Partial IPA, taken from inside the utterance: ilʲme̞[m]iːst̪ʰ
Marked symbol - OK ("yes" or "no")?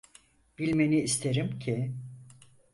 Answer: no